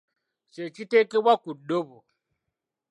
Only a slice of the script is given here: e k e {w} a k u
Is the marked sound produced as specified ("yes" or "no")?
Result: yes